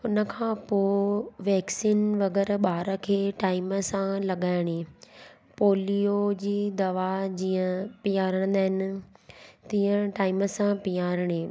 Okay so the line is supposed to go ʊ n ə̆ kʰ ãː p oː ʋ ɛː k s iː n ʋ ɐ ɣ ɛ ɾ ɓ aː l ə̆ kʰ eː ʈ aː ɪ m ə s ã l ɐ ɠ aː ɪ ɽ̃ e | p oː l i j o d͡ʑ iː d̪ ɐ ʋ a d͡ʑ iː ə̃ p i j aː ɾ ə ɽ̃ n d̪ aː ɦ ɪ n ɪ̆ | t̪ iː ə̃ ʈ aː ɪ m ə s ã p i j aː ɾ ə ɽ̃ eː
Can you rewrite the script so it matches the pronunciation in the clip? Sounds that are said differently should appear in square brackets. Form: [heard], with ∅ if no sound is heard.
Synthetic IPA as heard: ʊ n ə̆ kʰ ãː p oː ʋ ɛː k s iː n ʋ ɐ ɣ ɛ ɾ ɓ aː [ɾ] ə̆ kʰ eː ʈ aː ɪ m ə s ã l ɐ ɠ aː ɪ ɽ̃ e | p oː l i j o d͡ʑ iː d̪ ɐ ʋ a d͡ʑ iː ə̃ p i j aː ɾ ə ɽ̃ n d̪ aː ɦ ɪ n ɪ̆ | t̪ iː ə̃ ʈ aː ɪ m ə s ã p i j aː ɾ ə ɽ̃ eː